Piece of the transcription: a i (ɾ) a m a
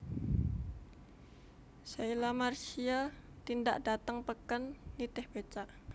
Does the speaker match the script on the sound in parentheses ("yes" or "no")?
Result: no